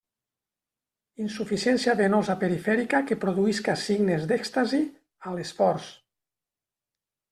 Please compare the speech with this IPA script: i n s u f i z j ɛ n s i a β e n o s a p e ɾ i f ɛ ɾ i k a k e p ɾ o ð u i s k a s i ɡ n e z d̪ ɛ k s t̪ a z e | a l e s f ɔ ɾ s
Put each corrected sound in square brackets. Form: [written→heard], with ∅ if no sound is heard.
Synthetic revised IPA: i n s u f i [z→s] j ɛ n s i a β e n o [s→z] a p e ɾ i f ɛ ɾ i k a k e p ɾ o ð u i s k a s i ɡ n e z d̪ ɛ k s t̪ a z [e→i] | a l e s f ɔ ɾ s